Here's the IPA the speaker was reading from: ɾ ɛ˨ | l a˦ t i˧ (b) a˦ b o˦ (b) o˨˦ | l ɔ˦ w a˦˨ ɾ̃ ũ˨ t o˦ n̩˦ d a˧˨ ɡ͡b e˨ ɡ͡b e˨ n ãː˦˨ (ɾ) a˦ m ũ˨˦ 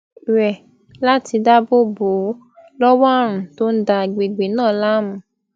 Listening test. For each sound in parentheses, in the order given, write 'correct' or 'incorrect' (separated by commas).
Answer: incorrect, correct, incorrect